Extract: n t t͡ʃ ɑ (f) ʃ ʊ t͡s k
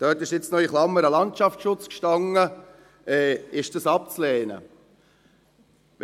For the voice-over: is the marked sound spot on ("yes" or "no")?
yes